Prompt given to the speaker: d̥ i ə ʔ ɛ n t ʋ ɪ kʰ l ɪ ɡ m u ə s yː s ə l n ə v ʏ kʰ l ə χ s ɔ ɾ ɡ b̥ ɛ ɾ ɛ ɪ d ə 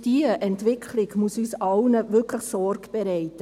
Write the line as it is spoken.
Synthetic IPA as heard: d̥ i ə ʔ ɛ n t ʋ ɪ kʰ l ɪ ɡ m u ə s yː s ɑ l n ə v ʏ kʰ l ə χ s ɔ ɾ ɡ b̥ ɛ ɾ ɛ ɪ t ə